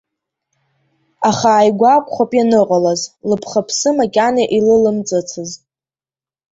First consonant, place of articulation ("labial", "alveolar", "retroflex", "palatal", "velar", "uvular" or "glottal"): uvular